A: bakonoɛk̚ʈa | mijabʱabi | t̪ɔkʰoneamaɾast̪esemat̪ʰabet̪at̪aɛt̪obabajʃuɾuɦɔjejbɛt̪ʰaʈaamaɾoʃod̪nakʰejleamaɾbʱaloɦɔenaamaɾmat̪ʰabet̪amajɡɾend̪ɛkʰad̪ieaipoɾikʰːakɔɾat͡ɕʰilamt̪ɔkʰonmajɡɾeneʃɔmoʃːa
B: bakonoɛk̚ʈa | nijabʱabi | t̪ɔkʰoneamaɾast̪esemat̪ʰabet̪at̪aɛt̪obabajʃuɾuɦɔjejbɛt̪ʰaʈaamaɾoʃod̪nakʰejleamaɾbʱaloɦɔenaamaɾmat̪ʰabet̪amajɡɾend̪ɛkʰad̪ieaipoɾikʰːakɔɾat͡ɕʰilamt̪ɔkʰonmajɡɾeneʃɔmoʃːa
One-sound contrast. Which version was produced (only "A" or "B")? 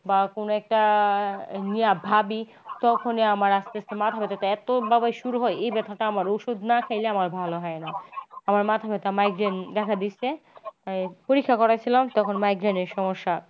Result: B